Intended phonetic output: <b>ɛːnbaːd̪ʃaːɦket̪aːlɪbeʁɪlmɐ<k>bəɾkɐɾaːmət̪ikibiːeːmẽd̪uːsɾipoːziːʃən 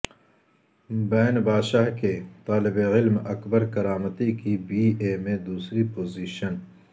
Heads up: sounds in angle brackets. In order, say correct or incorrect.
correct, correct

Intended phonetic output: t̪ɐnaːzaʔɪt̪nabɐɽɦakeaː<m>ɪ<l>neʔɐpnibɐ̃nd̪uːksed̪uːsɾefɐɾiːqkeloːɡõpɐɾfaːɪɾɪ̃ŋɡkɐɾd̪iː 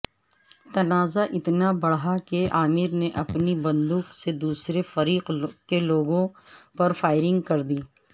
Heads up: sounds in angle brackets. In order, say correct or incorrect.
correct, incorrect

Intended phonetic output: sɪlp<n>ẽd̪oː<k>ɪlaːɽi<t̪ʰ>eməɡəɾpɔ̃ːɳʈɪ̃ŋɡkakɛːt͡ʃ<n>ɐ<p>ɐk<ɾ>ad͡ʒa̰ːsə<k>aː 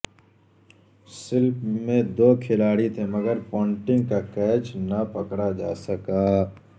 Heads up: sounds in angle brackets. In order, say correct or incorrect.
incorrect, incorrect, correct, correct, correct, incorrect, correct

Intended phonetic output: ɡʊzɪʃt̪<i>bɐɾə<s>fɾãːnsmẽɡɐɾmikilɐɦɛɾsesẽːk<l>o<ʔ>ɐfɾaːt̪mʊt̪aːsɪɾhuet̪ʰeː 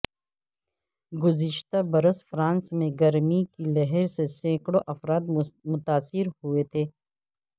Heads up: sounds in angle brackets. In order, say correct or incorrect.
incorrect, correct, incorrect, correct

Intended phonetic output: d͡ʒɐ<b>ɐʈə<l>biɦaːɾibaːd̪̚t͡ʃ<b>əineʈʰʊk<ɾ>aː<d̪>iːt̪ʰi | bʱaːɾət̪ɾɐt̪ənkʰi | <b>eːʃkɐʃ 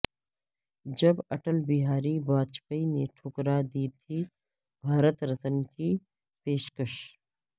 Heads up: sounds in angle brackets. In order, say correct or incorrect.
correct, correct, incorrect, correct, correct, incorrect

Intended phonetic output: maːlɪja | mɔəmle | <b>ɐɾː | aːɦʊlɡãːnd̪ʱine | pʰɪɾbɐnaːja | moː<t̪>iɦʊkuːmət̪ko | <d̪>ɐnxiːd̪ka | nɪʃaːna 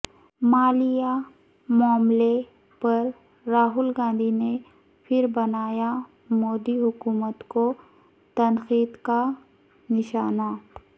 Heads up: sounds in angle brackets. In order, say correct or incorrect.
incorrect, incorrect, incorrect

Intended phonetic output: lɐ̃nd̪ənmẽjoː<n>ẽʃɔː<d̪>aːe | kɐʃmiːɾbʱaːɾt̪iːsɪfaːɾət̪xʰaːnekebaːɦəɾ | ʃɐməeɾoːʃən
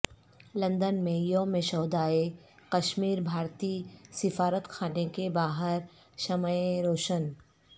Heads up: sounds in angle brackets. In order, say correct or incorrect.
incorrect, correct

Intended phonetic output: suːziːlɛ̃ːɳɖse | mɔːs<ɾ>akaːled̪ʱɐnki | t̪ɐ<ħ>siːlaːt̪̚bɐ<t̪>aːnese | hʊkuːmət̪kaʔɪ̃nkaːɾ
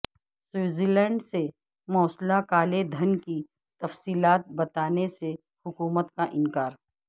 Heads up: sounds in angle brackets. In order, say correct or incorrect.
incorrect, incorrect, correct

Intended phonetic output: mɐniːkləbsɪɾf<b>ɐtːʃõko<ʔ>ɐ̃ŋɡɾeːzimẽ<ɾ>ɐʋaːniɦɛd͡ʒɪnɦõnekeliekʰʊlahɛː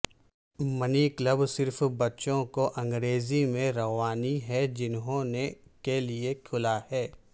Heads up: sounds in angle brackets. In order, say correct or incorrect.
correct, correct, correct

